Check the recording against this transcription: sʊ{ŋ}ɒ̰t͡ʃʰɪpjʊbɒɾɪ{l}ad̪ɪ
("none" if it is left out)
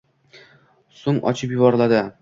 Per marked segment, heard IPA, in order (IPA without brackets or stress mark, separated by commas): ŋ, l